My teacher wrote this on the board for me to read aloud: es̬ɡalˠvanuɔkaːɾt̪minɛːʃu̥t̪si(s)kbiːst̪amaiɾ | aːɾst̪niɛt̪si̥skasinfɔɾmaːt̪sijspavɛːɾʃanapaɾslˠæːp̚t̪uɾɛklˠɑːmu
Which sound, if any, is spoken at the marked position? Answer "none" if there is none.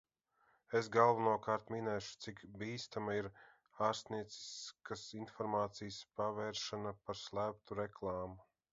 none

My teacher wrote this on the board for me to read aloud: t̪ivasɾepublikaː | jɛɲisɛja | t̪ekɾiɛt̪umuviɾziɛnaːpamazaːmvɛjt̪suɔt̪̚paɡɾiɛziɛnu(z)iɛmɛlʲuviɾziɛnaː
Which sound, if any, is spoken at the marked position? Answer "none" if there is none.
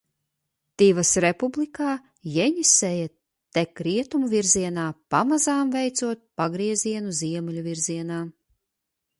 z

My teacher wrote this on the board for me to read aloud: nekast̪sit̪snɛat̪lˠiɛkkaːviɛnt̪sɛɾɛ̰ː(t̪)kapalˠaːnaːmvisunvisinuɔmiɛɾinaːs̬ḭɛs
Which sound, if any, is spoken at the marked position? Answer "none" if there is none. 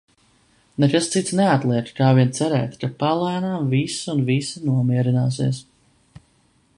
t̪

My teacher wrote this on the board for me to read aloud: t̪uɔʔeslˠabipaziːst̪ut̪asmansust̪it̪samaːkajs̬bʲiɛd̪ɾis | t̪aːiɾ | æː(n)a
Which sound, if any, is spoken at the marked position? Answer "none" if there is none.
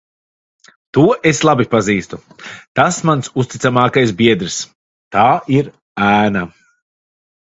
n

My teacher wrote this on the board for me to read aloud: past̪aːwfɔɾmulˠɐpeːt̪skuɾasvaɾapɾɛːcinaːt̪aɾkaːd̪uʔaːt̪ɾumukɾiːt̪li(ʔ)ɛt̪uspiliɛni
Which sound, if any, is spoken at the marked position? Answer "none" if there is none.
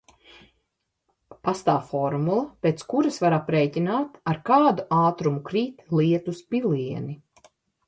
none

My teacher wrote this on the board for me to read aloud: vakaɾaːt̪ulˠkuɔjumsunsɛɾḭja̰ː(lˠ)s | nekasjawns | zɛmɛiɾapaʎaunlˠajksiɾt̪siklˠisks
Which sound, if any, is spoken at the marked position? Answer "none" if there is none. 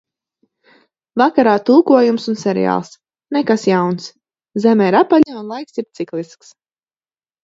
lˠ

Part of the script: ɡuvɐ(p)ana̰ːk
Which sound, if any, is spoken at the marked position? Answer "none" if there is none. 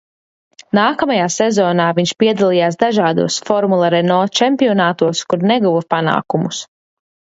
p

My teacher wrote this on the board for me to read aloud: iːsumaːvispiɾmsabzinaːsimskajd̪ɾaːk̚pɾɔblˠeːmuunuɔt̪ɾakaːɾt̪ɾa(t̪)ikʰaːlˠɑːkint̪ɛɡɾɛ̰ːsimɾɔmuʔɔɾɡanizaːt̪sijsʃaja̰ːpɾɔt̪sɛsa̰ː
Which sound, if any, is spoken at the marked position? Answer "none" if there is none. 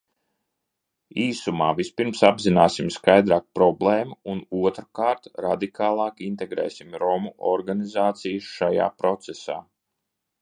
d̪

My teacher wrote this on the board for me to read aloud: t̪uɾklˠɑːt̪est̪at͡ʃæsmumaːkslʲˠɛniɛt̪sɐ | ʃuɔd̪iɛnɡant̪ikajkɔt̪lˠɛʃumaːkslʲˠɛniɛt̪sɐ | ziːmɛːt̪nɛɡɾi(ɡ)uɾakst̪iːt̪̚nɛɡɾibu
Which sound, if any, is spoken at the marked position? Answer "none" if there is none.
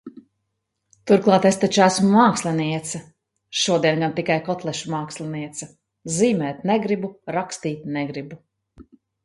b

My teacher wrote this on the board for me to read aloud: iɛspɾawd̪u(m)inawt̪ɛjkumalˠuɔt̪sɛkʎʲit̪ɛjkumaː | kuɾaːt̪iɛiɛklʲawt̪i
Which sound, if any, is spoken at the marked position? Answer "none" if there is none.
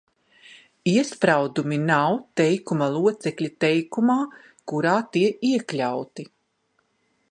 m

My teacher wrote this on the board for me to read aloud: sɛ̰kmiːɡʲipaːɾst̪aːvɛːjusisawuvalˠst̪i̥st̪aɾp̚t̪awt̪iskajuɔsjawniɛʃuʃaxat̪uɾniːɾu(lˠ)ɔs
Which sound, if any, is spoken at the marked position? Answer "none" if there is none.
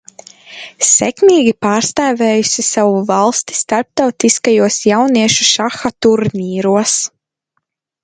none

